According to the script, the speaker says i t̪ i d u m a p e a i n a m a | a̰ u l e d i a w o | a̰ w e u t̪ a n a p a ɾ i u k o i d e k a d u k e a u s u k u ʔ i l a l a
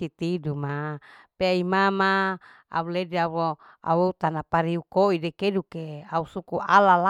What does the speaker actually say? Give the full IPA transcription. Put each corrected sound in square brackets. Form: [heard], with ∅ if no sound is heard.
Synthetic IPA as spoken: i t̪ i d u m a p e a i [m] a m a | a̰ u l e d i a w o | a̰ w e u t̪ a n a p a ɾ i u k o i d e k [e] d u k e a u s u k u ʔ [a] l a l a